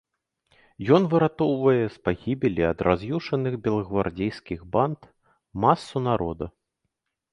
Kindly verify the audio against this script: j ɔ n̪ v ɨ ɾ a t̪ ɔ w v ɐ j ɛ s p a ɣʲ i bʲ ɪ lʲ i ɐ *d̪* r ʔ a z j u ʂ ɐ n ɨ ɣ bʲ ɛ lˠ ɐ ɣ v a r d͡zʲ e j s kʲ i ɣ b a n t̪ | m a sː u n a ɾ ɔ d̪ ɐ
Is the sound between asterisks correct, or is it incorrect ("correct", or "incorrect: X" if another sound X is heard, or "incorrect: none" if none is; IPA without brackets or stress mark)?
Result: correct